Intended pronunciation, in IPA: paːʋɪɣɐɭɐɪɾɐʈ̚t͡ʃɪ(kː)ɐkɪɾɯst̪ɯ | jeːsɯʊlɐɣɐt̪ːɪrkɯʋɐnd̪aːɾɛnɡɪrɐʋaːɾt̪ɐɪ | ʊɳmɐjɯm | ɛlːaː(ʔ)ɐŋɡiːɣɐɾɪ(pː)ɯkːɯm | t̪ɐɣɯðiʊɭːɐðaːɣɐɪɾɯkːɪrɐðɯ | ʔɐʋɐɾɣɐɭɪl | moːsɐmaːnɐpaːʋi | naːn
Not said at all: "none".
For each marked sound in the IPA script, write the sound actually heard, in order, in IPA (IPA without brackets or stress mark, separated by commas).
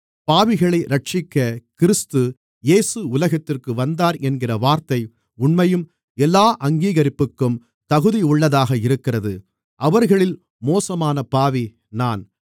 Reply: kː, ʔ, pː